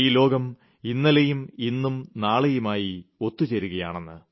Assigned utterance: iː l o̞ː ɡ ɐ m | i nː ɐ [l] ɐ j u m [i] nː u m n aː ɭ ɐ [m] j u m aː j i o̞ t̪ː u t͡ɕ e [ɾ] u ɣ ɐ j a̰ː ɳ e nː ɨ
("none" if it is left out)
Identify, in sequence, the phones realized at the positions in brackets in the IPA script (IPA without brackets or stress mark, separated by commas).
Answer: l, i, none, ɾ